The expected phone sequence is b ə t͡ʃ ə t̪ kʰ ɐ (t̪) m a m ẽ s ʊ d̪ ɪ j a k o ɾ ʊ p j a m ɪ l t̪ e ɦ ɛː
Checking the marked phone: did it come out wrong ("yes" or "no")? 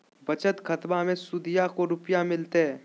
no